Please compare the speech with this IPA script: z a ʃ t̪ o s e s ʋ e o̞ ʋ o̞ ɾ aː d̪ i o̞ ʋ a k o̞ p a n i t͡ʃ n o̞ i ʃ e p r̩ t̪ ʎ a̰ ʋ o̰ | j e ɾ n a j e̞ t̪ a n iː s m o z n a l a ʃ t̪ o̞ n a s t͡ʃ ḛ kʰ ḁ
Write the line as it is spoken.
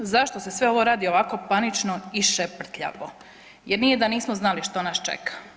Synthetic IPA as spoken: z a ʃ t̪ o s e s ʋ e o̞ ʋ o̞ ɾ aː d̪ i o̞ ʋ a k o̞ p a n i t͡ʃ n o̞ i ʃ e p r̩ t̪ ʎ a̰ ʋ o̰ | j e ɾ n i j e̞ d̪ a n iː s m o z n a l i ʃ t̪ o̞ n a s t͡ʃ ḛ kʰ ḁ

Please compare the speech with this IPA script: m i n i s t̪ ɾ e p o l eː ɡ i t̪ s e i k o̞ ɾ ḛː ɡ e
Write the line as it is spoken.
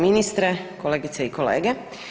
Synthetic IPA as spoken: m i n i s t̪ ɾ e k o l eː ɡ i t̪ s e i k o̞ l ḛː ɡ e

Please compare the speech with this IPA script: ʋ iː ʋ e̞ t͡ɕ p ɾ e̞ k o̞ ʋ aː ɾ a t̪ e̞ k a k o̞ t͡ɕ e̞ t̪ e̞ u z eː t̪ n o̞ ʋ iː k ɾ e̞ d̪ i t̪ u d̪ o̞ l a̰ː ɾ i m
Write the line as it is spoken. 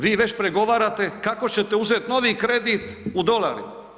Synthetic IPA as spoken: ʋ iː ʋ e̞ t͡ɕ p ɾ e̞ ɡ o̞ ʋ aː ɾ a t̪ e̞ k a k o̞ t͡ɕ e̞ t̪ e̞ u z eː t̪ n o̞ ʋ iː k ɾ e̞ d̪ i t̪ u d̪ o̞ l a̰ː ɾ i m

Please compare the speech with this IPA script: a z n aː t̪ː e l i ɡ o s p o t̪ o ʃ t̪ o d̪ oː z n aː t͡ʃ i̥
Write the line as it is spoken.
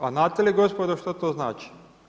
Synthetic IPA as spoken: a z n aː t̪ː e l i ɡ o s p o d̪ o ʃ t̪ o t̪ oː z n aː t͡ʃ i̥

